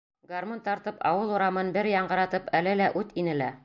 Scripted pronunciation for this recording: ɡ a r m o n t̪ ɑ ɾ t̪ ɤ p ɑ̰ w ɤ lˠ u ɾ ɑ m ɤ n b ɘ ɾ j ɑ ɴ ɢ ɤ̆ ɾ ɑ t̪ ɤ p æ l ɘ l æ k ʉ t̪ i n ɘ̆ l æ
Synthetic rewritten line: ɡ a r m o n t̪ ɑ ɾ t̪ ɤ p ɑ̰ w ɤ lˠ u ɾ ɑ m ɤ n b ɘ ɾ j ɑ ɴ ɢ ɤ̆ ɾ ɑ t̪ ɤ p æ l ɘ l æ ʔ ʉ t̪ i n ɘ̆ l æ

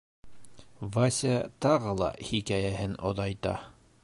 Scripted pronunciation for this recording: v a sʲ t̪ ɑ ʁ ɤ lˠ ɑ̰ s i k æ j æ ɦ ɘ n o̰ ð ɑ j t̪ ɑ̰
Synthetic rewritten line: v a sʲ t̪ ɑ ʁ ɤ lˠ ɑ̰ h i k æ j æ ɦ ɘ n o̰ ð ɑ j t̪ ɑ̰

